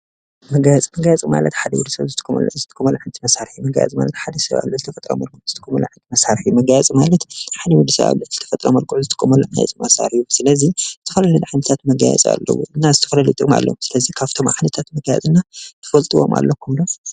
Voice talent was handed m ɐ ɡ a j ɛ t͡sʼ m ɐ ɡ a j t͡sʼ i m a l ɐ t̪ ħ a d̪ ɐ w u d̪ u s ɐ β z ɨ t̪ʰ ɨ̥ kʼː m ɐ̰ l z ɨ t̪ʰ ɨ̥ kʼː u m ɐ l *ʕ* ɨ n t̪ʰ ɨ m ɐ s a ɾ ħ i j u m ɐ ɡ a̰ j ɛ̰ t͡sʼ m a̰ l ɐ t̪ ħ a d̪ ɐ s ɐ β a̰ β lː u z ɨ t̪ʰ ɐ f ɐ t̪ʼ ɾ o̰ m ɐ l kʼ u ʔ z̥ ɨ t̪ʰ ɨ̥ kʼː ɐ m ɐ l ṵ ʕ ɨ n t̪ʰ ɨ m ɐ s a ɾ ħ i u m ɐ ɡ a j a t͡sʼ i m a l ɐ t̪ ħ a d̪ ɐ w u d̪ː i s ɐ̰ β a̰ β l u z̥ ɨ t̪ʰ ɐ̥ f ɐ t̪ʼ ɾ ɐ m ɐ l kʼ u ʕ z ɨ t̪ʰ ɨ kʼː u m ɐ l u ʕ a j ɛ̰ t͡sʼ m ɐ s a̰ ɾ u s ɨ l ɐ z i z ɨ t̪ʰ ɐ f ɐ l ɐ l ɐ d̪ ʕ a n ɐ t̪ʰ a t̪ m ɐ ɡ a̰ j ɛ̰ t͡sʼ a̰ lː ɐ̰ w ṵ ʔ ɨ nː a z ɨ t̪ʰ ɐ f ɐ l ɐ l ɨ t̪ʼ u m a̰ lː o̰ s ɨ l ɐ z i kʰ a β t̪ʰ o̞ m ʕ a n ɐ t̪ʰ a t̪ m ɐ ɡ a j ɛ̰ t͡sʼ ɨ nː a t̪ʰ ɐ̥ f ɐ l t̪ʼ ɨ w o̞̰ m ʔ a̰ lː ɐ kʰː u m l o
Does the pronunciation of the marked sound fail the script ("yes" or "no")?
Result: no